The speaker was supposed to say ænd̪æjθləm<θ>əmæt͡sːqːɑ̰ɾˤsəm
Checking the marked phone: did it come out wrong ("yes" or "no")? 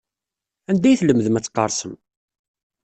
yes